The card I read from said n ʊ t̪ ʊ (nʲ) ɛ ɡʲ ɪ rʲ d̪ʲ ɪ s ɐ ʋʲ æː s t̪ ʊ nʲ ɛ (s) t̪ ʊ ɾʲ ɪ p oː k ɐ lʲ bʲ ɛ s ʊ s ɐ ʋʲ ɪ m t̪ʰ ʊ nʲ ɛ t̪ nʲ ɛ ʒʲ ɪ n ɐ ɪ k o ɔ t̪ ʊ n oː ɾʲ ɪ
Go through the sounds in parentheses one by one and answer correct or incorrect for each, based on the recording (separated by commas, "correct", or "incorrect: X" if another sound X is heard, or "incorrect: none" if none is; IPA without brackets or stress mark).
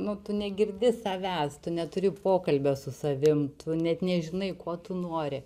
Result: correct, incorrect: none